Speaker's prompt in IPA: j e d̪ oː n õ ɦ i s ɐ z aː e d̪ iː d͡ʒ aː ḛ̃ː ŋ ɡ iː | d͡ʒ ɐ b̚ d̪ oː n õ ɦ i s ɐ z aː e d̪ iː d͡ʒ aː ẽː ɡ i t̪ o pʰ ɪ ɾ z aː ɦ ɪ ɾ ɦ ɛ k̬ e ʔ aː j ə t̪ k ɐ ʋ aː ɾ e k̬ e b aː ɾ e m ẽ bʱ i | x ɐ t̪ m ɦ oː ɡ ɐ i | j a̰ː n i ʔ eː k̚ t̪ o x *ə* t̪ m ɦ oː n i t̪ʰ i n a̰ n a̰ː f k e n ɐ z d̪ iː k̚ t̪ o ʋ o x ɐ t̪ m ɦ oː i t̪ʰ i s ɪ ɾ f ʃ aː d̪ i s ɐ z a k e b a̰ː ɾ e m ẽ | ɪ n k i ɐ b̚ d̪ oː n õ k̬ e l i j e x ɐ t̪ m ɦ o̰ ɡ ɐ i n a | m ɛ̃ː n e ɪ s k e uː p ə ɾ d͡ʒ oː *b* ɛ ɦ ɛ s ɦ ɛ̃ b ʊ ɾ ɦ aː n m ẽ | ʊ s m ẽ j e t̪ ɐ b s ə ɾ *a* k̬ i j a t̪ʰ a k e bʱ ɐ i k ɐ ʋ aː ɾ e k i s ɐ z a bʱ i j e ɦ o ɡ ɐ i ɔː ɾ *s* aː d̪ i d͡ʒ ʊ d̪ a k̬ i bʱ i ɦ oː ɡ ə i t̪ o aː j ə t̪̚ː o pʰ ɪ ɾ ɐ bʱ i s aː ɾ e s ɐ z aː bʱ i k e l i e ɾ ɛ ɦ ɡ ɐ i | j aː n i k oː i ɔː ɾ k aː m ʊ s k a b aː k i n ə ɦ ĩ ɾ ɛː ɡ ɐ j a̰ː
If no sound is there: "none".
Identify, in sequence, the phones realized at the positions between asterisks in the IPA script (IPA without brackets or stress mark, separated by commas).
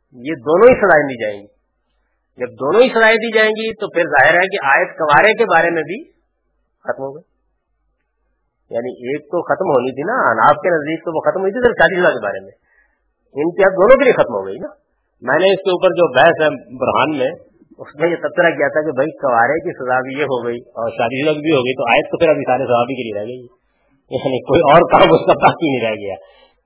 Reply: ɐ, b, a, ʃ